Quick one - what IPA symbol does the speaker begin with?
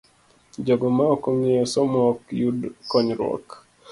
d͡ʒ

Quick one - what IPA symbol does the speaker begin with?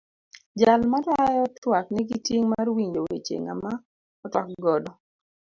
d͡ʒ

